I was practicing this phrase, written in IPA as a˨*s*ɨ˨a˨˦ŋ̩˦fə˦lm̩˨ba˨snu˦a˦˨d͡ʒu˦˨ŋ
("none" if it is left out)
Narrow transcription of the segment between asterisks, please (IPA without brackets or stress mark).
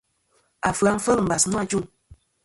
f